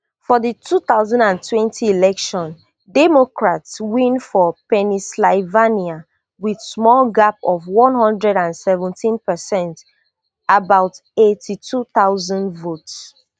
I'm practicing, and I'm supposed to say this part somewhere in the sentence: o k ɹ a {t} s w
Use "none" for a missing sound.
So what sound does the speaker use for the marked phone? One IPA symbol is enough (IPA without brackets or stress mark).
t